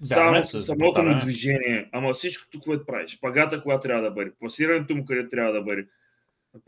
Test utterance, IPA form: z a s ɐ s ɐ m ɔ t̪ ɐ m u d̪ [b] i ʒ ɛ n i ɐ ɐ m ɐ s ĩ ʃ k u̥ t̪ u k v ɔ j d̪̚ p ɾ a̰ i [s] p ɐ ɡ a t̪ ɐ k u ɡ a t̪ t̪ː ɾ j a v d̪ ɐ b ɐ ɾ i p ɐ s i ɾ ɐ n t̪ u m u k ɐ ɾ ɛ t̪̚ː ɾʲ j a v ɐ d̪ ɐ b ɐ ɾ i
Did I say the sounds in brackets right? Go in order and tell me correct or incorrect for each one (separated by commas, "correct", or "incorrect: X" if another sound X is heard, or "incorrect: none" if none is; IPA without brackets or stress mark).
incorrect: v, incorrect: ʃ